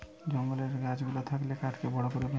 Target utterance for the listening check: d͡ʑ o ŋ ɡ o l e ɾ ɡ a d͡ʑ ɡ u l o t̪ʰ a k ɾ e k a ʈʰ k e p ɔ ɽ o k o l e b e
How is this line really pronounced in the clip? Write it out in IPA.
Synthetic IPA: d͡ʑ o ŋ ɡ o l e ɾ ɡ a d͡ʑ ɡ u l o t̪ʰ a k l e k a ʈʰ k e b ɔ ɽ o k o ɾ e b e